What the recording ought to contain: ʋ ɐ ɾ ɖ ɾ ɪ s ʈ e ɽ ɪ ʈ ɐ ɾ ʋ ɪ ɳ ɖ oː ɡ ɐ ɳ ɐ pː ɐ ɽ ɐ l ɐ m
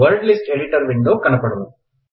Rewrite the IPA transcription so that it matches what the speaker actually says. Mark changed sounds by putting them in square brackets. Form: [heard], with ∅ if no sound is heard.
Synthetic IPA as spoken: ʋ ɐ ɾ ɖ [l] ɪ s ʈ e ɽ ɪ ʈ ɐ ɾ ʋ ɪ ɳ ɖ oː [k] ɐ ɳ ɐ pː ɐ ɽ ɐ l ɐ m